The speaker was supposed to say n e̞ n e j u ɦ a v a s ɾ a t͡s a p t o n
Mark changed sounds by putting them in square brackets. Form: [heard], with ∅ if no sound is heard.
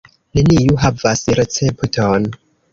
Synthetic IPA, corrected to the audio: n e̞ n [i] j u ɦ a v a s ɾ [e] t͡s [e] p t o n